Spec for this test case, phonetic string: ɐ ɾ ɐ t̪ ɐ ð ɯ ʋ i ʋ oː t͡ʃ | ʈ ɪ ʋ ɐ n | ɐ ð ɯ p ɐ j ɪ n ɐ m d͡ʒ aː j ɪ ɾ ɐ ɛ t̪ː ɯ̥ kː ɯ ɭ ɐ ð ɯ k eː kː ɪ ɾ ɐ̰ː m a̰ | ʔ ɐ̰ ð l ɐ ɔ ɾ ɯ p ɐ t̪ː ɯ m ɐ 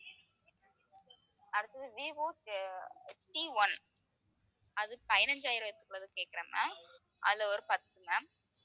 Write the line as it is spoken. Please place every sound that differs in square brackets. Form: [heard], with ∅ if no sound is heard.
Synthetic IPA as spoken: ɐ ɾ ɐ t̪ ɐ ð ɯ ʋ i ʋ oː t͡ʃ | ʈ [i] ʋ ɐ n | ɐ ð ɯ p ɐ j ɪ n ɐ [ɲ] d͡ʒ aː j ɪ ɾ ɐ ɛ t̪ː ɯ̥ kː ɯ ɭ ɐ ð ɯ k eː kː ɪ ɾ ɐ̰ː m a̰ | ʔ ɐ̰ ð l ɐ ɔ ɾ ɯ p ɐ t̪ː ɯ m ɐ